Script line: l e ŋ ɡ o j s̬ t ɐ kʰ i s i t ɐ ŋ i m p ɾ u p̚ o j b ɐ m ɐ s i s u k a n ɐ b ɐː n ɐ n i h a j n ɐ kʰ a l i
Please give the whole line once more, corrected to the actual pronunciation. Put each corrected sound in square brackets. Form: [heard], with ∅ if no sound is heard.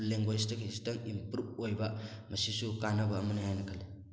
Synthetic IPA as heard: l e ŋ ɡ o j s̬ t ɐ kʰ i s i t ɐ ŋ i m p ɾ u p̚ o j b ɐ m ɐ s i s u k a n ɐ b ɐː [m] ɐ n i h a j n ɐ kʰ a l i